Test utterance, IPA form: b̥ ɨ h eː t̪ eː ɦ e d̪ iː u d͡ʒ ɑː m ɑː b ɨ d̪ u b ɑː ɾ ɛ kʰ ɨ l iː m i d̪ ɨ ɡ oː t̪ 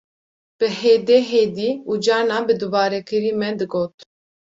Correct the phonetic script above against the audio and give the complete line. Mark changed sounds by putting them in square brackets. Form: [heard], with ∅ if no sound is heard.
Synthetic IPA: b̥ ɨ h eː [d̪] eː ɦ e d̪ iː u d͡ʒ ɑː [n] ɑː b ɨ d̪ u b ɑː ɾ ɛ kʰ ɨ [ɾ] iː m [ɛ] d̪ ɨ ɡ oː t̪